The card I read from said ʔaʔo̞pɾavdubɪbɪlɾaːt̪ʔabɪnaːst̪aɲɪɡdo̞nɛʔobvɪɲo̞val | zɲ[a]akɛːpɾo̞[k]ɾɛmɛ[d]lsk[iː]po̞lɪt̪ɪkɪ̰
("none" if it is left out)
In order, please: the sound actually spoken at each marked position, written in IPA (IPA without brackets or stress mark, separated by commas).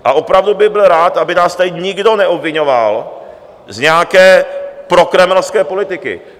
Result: ɛ, k, none, ɛː